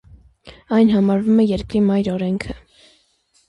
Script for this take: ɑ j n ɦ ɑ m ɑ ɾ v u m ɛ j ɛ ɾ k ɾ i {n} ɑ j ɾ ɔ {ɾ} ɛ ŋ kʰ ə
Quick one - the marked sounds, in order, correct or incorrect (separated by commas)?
incorrect, correct